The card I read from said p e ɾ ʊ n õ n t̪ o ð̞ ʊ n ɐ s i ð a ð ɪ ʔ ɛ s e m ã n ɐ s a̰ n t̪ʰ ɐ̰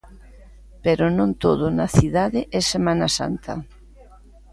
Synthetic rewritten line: p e ɾ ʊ n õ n t̪ o ð̞ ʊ n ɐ θ i ð a ð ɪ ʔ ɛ s e m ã n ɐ s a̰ n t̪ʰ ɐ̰